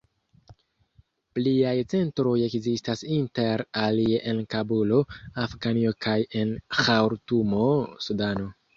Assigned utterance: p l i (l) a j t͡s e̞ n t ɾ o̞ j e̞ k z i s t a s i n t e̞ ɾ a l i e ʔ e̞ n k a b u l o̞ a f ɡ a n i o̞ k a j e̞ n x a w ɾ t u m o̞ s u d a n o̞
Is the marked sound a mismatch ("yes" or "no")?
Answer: yes